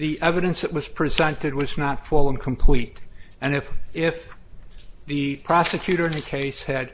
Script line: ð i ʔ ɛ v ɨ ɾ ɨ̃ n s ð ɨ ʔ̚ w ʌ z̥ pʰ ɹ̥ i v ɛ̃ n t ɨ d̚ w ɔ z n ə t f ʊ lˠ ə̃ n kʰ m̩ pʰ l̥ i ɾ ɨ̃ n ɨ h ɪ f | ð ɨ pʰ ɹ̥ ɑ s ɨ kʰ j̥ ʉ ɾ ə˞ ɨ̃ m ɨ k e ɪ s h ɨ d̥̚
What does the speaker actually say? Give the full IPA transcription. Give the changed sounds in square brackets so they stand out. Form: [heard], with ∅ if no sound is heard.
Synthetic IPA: ð i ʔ ɛ v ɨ ɾ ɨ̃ n s ð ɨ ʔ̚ w ʌ z̥ pʰ ɹ̥ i [z] ɛ̃ n t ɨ d̚ w [ʌ] z n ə t f ʊ lˠ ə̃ n kʰ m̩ pʰ l̥ i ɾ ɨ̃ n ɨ [f] ɪ f | ð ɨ pʰ ɹ̥ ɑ s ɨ kʰ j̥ ʉ ɾ ə˞ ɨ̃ [n] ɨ [kʰ] e ɪ s h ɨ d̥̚